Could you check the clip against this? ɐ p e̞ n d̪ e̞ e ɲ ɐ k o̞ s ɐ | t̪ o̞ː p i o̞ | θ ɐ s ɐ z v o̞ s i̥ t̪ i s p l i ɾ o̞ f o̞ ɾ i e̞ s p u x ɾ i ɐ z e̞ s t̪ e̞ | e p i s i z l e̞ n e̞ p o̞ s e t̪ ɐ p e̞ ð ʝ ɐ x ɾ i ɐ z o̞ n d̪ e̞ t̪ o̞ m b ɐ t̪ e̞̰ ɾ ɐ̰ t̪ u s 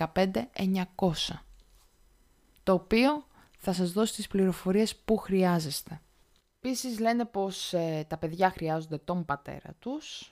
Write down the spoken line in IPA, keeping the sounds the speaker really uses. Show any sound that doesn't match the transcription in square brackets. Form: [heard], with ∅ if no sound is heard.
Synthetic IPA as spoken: ɐ p e̞ n d̪ e̞ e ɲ ɐ k o̞ s ɐ | t̪ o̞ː p i o̞ | θ ɐ s ɐ z [ð] o̞ s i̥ t̪ i s p l i ɾ o̞ f o̞ ɾ i e̞ s p u x ɾ i ɐ z e̞ s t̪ e̞ | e p i s i z l e̞ n e̞ p o̞ s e t̪ ɐ p e̞ ð ʝ ɐ x ɾ i ɐ z o̞ n d̪ e̞ t̪ o̞ m b ɐ t̪ e̞̰ ɾ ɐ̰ t̪ u s